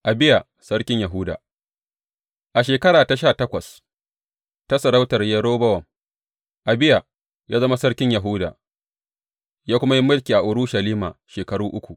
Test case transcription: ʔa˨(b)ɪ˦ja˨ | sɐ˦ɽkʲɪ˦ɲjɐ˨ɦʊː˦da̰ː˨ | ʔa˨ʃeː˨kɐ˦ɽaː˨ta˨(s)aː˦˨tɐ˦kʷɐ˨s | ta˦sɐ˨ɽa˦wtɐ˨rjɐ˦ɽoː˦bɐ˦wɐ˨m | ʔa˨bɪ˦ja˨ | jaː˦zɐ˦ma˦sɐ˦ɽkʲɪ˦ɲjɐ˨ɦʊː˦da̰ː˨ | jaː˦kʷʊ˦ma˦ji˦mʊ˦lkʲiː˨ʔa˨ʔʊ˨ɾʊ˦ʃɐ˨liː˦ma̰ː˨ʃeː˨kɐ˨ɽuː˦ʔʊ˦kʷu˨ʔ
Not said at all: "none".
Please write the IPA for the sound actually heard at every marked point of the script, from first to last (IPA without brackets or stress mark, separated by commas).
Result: b, ʃ